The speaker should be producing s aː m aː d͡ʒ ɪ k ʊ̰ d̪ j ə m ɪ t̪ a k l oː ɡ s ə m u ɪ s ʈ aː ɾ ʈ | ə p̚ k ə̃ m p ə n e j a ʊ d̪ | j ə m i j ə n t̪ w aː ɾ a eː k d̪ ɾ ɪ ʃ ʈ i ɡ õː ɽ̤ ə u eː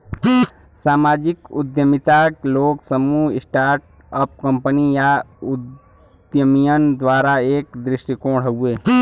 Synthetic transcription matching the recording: s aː m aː d͡ʒ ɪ k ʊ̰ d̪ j ə m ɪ t̪ a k l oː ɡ s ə m u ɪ s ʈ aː ɾ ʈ | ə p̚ k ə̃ m p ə n i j a ʊ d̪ | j ə m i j ə n d̪ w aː ɾ a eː k d̪ ɾ ɪ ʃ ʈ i k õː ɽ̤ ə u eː